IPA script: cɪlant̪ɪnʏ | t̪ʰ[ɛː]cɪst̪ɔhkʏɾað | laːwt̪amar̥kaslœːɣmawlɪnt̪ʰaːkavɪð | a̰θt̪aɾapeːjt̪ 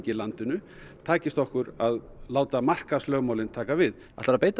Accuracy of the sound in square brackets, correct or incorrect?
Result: incorrect